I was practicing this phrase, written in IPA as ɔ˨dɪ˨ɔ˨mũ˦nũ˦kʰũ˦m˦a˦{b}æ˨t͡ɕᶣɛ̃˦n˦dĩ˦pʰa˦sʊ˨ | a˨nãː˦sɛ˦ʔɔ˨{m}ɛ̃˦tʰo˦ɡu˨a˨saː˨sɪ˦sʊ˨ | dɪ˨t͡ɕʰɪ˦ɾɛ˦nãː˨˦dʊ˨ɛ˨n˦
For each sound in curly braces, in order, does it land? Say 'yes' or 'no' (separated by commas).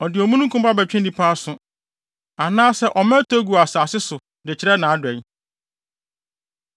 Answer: yes, yes